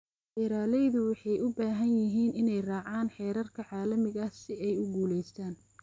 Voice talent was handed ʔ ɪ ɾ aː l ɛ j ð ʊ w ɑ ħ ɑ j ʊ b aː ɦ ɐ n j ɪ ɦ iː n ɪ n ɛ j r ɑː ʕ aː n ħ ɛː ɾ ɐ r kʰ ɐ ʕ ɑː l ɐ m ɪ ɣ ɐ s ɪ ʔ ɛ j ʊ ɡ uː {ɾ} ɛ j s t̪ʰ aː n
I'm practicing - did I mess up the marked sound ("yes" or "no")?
yes